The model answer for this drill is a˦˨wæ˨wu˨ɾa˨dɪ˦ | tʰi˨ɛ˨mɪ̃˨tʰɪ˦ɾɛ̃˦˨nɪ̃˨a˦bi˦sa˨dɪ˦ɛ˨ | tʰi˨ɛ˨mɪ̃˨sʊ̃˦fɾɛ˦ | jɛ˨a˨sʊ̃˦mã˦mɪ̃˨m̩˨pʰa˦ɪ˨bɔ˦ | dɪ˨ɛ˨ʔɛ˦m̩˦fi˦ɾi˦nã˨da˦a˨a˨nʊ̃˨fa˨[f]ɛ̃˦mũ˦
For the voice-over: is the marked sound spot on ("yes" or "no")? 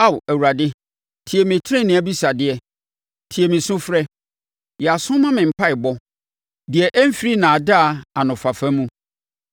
yes